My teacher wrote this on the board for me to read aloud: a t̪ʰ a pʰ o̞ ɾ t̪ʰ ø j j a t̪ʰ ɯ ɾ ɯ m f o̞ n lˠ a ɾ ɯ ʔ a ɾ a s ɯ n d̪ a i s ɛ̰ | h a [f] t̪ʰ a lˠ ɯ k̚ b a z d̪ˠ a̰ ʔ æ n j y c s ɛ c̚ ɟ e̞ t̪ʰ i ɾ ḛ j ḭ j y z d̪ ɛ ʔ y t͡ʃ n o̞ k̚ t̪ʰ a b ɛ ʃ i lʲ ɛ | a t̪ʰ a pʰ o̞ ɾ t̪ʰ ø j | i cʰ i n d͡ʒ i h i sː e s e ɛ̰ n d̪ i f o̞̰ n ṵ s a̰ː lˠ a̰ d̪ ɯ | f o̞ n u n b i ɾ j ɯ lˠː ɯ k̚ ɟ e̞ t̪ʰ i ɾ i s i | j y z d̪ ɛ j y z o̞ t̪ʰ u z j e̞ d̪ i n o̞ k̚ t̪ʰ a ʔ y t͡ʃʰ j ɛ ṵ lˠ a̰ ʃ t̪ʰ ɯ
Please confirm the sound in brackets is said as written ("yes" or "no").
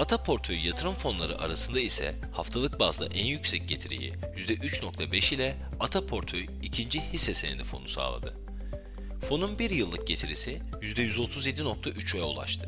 yes